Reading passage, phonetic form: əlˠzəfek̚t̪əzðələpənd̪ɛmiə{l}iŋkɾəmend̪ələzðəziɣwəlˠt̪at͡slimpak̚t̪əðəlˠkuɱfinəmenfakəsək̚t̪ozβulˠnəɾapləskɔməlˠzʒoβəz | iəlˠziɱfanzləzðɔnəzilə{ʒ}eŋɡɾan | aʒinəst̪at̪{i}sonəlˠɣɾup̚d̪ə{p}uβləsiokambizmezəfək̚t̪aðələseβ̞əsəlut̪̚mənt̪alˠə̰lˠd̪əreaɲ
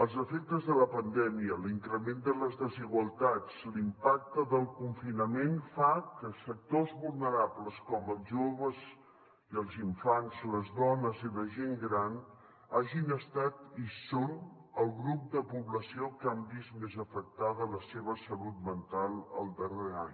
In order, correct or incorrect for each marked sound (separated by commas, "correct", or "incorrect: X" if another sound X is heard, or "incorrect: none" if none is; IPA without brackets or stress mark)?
correct, correct, correct, correct